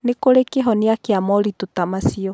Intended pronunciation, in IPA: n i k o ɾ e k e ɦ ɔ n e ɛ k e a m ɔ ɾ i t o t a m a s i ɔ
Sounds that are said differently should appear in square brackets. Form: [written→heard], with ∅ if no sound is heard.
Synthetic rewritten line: n [i→e] k o ɾ e k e ɦ ɔ n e [ɛ→a] k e a m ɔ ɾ i t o t a m a s i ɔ